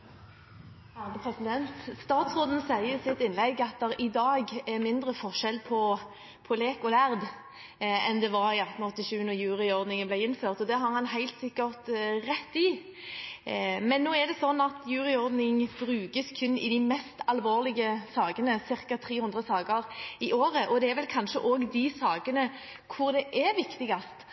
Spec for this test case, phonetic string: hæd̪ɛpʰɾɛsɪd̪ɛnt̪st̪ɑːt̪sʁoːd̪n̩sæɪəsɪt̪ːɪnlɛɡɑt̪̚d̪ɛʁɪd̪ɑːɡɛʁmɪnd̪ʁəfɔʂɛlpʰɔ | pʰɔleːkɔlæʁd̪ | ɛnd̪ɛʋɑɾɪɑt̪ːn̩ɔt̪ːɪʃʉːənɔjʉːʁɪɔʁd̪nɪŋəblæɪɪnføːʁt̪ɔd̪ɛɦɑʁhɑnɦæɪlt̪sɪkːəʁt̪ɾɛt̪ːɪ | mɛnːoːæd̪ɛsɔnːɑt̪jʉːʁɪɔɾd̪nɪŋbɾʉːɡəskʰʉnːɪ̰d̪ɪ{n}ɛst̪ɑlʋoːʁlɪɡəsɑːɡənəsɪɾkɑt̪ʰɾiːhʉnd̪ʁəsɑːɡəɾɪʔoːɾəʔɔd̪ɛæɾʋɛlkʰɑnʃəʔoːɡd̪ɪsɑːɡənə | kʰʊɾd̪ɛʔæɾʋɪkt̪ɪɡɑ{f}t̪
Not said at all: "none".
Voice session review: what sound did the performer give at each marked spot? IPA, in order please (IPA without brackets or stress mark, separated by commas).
m, s